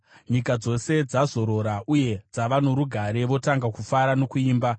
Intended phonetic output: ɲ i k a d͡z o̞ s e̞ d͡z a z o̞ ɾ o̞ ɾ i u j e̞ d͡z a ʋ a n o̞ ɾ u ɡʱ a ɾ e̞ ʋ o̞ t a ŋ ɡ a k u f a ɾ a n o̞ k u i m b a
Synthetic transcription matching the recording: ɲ i k a d͡z o̞ s e̞ d͡z a z o̞ ɾ o̞ ɾ a u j e̞ d͡z a ʋ a n o̞ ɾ u ɡʱ a ɾ e̞ ʋ o̞ t a ŋ ɡ a k u f a ɾ a n o̞ k u iː m b a